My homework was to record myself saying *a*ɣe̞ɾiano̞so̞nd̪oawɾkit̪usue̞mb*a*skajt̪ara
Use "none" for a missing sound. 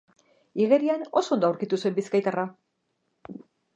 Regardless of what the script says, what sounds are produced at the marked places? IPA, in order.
i, i

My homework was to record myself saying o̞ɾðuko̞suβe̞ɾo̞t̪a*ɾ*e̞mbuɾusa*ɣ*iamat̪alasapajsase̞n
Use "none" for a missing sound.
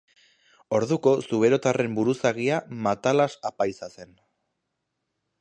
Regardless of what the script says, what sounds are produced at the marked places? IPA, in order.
r, ɣ

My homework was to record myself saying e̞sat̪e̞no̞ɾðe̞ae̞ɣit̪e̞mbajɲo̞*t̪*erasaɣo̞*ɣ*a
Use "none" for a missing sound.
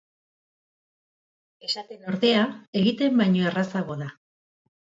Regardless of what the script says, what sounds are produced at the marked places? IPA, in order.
none, ð

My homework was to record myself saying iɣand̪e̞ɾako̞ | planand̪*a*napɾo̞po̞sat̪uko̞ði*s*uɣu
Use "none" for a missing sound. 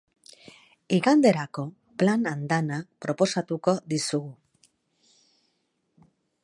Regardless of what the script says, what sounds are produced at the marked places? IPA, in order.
a, s

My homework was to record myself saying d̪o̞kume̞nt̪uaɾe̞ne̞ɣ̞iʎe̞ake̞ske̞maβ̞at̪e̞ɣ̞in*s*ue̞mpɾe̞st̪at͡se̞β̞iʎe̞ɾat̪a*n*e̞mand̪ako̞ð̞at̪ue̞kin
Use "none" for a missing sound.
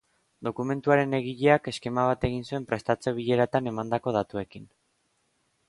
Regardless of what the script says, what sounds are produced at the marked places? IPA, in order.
s, n

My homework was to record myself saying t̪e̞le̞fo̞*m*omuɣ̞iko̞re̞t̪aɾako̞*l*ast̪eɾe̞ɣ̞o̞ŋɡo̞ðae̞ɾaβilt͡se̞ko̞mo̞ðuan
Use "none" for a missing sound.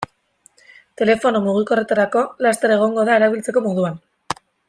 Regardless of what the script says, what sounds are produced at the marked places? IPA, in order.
n, l

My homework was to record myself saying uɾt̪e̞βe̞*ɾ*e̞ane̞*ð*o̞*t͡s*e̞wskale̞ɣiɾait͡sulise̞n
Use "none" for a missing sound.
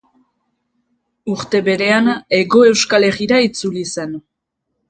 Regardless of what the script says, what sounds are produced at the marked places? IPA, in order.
ɾ, ɣ, none

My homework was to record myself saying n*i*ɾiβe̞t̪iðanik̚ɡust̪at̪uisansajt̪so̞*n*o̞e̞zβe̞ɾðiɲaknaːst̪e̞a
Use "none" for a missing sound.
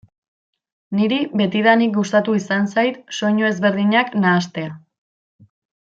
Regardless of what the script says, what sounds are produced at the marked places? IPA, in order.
i, ɲ

